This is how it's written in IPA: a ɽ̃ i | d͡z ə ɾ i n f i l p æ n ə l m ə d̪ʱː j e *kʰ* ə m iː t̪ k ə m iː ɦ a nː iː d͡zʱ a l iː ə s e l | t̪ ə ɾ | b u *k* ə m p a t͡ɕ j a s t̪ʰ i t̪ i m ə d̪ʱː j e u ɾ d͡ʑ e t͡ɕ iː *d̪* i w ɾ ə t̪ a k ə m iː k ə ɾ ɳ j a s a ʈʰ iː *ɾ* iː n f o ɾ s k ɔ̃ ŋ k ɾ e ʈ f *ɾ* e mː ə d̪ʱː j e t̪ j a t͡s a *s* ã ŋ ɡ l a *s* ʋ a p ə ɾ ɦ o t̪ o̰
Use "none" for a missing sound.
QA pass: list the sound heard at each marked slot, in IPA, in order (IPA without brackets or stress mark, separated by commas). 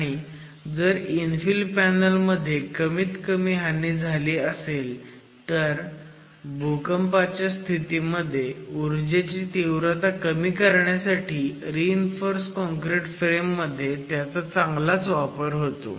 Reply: k, k, t̪, ɾ, ɾ, t͡s, t͡s